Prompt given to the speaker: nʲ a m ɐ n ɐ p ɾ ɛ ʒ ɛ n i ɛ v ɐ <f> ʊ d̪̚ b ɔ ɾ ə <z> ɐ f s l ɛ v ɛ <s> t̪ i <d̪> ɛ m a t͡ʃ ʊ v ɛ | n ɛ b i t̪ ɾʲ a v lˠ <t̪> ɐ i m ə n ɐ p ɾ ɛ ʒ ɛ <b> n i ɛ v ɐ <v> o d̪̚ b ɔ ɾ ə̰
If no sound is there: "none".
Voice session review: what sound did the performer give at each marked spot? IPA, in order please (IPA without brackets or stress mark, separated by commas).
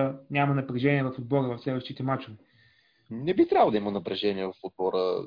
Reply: f, v, ʃ, t̪, d̪, none, f